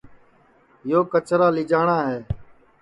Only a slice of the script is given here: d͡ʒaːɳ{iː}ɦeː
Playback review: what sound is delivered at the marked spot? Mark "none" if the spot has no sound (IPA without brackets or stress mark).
aː